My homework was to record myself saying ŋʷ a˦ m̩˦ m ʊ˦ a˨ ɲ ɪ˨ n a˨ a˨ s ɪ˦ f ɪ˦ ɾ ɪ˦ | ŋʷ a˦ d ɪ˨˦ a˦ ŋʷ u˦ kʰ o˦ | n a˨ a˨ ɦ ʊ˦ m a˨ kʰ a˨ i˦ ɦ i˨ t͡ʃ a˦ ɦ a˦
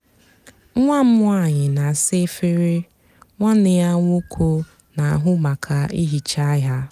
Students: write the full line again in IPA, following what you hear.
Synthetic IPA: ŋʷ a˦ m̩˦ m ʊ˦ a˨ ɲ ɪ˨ n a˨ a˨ s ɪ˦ f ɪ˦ ɾ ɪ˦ | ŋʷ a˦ n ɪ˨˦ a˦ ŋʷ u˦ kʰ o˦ | n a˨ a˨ ɦ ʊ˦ m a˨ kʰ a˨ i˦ ɦ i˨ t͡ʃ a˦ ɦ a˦